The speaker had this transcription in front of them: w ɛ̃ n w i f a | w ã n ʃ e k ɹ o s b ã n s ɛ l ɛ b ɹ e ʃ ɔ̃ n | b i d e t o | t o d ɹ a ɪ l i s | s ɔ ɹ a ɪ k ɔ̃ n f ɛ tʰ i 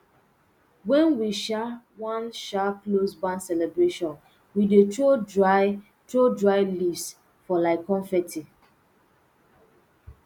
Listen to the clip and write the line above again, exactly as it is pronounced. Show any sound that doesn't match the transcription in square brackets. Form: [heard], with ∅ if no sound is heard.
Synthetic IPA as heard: w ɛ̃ n w i [ʃ] a | w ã n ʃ [a] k [l] o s b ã n s ɛ l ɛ b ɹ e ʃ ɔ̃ n | [w] i d e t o | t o d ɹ a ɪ l i s | [f] ɔ [l] a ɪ k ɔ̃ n f ɛ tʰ i